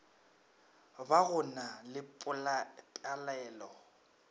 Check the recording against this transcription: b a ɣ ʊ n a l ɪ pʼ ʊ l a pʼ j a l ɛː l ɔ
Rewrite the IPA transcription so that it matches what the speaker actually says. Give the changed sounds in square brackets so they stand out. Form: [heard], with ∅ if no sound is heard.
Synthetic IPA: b a ɣ ʊ n a l ɪ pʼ ʊ l a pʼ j a l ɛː l ɔ